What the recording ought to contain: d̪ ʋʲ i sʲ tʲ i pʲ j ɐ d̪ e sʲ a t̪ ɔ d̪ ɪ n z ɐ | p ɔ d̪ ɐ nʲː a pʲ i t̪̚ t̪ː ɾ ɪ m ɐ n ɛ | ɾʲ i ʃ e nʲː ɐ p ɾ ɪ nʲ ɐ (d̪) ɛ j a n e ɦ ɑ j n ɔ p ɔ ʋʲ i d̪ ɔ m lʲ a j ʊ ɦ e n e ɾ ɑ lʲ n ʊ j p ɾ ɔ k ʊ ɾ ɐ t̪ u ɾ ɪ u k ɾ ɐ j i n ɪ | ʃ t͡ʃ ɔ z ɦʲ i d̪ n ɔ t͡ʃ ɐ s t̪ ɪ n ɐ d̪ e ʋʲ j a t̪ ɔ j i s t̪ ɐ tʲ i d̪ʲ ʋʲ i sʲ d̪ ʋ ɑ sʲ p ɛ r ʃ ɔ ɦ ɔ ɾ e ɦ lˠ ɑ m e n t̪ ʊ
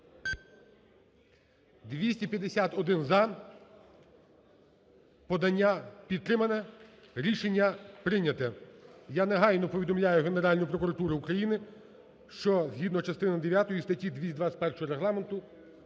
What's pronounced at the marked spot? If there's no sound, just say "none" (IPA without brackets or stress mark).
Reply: t̪